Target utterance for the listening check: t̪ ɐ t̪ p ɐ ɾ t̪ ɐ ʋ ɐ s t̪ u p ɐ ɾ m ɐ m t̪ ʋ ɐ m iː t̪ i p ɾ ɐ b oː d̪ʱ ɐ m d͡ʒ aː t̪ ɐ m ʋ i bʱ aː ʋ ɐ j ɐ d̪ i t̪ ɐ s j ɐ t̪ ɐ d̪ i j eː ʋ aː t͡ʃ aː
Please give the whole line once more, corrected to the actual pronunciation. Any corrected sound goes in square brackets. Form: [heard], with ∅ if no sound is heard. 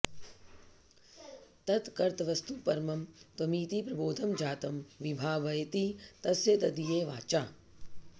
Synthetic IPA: t̪ ɐ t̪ [k] ɐ ɾ t̪ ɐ ʋ ɐ s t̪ u p ɐ ɾ m ɐ m t̪ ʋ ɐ m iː t̪ i p ɾ ɐ b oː d̪ʱ ɐ m d͡ʒ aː t̪ ɐ m ʋ i bʱ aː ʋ ɐ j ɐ [t̪] i t̪ ɐ s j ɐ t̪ ɐ d̪ i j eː ʋ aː t͡ʃ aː